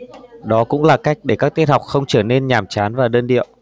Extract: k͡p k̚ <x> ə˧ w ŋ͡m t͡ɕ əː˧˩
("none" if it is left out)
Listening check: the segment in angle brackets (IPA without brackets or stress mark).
x